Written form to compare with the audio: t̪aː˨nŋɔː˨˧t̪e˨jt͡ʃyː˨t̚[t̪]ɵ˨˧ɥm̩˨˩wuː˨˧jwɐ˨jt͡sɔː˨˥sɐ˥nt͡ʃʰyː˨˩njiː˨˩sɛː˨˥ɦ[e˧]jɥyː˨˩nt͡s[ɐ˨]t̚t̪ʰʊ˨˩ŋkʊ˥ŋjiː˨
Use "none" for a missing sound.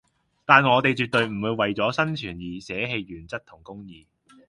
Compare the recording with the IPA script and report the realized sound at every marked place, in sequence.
t̪, e˧, ɐ˥

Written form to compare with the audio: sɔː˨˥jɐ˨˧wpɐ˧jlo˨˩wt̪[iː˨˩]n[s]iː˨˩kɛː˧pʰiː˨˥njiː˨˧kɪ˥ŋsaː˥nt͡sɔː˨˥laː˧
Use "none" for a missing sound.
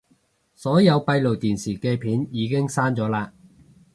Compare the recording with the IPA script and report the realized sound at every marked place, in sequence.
iː˨˩, s

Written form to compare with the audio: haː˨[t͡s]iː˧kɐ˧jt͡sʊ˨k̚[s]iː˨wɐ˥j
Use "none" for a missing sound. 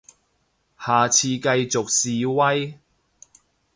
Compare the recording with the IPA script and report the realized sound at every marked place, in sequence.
t͡sʰ, s

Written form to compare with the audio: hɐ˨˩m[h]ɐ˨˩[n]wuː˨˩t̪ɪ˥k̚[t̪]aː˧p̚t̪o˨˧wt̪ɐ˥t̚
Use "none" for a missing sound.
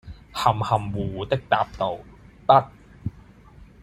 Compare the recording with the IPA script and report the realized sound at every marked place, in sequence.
h, m, t̪

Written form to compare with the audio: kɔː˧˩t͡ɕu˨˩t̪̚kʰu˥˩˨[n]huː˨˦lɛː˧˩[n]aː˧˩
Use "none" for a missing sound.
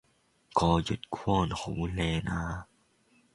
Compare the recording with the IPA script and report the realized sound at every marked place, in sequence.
n, n

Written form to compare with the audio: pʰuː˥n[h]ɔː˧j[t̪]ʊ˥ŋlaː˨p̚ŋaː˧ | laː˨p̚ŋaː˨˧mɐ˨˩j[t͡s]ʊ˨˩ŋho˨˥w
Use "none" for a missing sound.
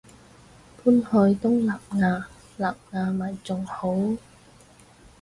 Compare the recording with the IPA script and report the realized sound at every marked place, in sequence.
h, t̪, t͡s

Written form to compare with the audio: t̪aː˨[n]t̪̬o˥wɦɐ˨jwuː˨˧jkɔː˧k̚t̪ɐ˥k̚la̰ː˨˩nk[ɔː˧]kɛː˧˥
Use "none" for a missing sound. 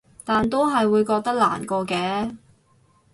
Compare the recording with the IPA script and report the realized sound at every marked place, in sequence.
n, ɔː˧

